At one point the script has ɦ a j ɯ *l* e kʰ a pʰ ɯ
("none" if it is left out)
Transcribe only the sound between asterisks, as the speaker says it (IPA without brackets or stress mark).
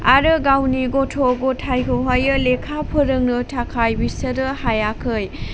l